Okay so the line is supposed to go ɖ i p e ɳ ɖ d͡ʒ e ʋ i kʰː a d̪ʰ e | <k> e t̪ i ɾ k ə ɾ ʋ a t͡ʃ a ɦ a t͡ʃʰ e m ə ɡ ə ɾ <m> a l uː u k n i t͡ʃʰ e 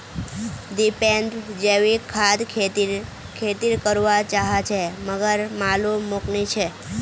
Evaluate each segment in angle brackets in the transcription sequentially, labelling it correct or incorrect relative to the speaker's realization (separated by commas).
incorrect, correct